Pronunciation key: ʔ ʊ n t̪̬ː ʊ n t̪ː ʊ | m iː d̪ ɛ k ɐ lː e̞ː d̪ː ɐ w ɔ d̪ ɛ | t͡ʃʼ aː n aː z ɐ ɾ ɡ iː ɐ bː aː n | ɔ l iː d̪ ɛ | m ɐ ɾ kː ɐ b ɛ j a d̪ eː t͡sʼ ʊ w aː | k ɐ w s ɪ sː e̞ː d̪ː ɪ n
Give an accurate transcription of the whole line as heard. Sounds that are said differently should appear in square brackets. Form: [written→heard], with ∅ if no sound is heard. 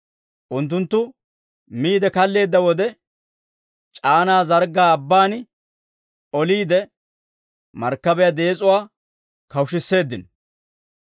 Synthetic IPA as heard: ʔ ʊ n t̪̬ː ʊ n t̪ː ʊ | m iː d̪ ɛ k ɐ lː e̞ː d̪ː ɐ w ɔ d̪ ɛ | t͡ʃʼ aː n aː z ɐ ɾ ɡ [iː→aː] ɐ bː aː n | ɔ l iː d̪ ɛ | m ɐ ɾ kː ɐ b ɛ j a d̪ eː t͡sʼ ʊ w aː | k ɐ w [s→ʃ] ɪ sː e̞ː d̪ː ɪ n